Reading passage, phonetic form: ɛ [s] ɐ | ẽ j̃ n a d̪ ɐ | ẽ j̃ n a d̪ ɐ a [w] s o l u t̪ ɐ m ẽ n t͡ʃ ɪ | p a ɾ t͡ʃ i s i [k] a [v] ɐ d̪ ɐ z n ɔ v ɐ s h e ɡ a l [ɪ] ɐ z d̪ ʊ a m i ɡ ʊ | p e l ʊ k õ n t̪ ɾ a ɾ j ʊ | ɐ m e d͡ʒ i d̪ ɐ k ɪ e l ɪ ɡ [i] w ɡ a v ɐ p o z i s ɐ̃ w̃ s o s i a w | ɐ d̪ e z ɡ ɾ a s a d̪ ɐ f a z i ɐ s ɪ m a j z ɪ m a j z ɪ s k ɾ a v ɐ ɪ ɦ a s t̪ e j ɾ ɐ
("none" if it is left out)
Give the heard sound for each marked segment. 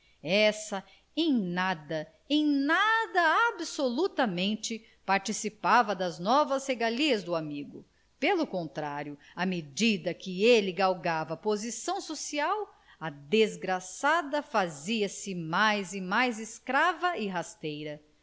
s, b, p, v, i, a

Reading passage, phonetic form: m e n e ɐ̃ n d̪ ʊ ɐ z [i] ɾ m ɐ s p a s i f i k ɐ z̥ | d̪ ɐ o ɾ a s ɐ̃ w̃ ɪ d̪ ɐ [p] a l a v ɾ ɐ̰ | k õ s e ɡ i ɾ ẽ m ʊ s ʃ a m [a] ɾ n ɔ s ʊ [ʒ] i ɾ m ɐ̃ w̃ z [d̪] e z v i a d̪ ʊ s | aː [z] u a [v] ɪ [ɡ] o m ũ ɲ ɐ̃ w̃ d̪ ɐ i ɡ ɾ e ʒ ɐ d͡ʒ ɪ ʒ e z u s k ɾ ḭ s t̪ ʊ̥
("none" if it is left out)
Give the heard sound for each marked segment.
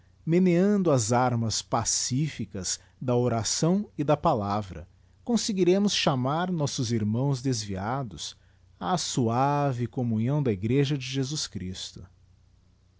a, p, a, z, d̪, s, v, k

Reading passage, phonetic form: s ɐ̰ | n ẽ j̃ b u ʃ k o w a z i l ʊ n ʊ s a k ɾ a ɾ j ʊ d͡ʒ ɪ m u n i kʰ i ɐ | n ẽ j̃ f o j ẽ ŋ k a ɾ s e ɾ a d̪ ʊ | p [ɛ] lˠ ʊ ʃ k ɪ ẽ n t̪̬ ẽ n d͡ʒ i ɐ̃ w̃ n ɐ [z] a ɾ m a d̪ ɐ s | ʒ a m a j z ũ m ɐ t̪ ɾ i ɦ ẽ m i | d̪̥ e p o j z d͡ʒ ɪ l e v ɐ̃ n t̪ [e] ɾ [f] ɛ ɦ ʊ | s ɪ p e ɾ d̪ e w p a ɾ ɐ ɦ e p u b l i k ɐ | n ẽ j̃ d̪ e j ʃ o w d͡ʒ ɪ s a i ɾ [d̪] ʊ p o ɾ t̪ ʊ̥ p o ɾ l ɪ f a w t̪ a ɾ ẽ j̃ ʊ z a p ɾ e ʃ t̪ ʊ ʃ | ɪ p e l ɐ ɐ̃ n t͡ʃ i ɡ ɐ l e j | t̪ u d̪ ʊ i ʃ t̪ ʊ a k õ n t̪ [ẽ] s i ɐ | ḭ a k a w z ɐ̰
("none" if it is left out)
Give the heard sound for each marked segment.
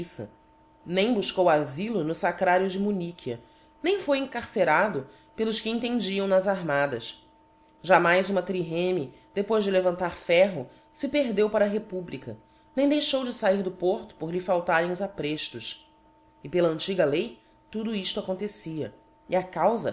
e, z, a, f, d̪, e

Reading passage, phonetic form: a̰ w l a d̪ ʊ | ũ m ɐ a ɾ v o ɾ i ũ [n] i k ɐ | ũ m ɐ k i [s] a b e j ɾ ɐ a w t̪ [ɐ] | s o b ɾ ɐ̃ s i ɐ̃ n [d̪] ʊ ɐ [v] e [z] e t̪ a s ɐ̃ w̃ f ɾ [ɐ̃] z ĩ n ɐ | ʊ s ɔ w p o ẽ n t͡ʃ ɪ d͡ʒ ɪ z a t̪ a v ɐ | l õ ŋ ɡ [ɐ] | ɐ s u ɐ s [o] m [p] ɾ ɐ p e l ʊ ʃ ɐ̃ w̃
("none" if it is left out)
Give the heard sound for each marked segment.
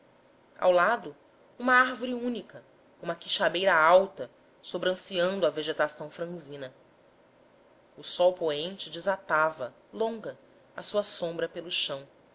n, ʃ, ɐ, d̪, v, ʒ, ɐ̃, ɐ, õ, b

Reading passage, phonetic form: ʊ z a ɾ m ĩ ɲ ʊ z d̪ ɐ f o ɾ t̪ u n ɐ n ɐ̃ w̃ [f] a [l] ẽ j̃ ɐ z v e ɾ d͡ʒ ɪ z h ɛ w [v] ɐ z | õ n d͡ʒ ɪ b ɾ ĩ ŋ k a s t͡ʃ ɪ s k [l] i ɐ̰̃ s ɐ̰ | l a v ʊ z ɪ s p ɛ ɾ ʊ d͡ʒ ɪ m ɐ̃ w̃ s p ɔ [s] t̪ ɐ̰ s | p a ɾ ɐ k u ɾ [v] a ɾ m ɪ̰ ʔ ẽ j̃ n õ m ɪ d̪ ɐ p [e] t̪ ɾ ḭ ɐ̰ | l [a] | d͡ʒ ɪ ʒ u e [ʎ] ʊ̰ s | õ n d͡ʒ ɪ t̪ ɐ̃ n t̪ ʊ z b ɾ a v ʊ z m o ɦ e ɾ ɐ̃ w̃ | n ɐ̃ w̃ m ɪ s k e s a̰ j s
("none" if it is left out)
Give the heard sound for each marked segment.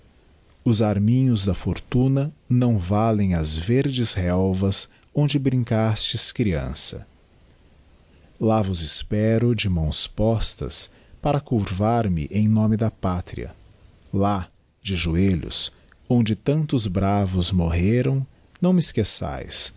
v, l, v, ɾ, s, v, a, a, ʎ

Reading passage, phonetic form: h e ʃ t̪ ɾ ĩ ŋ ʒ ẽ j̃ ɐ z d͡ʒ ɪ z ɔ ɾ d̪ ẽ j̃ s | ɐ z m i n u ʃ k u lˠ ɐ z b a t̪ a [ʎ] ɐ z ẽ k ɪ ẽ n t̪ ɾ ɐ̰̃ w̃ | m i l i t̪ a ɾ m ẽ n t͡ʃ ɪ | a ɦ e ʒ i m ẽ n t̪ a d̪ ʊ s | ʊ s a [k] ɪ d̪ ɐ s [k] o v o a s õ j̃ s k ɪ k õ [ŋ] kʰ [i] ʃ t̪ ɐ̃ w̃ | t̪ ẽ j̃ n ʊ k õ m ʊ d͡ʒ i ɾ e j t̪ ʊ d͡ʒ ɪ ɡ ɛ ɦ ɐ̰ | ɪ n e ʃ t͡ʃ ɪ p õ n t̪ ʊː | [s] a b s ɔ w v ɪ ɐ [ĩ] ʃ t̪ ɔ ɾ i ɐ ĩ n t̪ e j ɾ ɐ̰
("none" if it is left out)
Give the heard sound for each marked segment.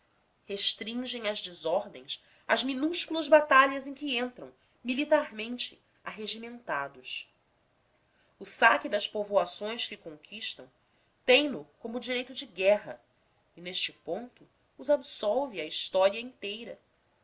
ʎ, k, p, ŋ, i, z, i

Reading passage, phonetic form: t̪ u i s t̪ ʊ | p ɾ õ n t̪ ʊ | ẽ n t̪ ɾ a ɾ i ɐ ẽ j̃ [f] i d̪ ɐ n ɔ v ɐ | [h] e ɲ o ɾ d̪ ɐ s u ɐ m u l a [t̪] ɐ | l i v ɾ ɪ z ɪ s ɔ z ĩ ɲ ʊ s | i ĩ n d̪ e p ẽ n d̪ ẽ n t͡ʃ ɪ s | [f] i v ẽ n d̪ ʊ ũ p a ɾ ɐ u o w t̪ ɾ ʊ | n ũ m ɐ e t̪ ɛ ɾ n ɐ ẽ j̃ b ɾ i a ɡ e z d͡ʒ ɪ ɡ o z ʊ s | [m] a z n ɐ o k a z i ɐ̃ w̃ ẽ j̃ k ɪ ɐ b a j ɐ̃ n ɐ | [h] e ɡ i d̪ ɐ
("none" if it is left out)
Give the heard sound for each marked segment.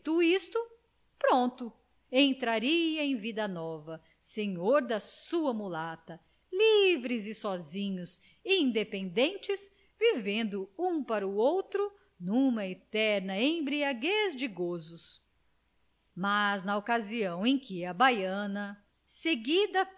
v, s, t̪, v, m, s

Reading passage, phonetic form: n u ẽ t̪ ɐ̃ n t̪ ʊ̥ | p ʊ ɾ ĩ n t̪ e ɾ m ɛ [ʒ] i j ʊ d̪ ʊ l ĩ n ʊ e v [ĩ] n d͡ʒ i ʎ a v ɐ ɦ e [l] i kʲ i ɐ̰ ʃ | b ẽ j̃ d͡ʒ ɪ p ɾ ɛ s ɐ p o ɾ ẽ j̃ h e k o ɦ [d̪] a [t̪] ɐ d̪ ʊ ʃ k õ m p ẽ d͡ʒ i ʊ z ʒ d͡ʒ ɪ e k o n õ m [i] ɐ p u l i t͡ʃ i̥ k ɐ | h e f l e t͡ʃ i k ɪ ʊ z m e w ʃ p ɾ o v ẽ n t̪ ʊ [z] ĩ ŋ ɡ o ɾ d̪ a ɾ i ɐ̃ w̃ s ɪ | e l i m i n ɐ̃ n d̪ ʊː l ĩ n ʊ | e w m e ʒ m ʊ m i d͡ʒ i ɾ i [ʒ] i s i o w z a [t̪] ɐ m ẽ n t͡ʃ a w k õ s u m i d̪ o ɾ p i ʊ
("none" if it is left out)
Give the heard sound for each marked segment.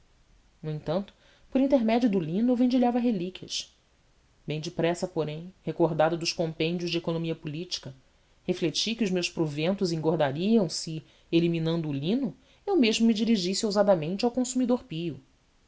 d͡ʒ, ẽ, l, d̪, d̪, i, z, ʒ, d̪

